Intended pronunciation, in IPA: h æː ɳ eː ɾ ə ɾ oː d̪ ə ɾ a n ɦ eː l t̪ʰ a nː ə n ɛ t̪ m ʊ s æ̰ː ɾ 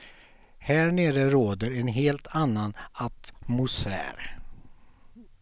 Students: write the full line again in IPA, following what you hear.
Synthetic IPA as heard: h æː ɳ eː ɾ ə ɾ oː d̪ ə ɾ ɛ n ɦ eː l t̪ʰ a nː a n a t̪ m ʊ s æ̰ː ɾ